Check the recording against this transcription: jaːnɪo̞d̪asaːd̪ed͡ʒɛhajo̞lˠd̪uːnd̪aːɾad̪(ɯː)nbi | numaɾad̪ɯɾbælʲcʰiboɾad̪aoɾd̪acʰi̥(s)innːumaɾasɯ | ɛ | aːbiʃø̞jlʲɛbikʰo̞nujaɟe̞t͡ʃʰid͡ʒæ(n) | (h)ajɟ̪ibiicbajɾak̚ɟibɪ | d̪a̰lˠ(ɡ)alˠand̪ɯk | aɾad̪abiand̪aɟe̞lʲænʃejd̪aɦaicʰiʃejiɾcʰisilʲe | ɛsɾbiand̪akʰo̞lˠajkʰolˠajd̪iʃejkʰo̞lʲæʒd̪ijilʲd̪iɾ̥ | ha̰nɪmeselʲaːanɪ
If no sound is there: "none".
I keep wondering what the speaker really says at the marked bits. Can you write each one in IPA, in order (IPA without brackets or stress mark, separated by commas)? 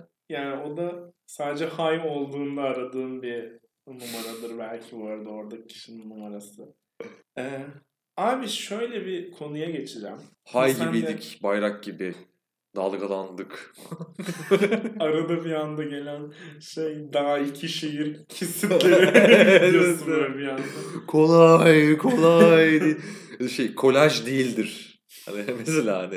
ɯː, ʃ, m, h, ɡ